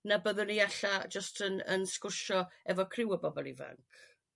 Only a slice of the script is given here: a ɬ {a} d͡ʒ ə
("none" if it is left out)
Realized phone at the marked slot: a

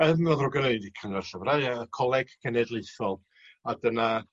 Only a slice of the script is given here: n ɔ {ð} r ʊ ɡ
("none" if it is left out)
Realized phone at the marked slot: ð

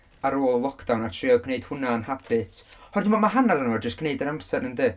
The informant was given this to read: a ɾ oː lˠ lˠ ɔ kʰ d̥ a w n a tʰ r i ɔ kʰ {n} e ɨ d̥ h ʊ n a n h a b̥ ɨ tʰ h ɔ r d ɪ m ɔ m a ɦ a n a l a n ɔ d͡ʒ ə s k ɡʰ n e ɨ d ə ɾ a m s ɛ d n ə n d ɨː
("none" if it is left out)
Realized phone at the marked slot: n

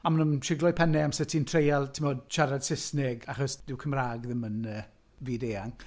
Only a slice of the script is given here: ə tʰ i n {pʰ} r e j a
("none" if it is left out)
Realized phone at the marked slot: tʰ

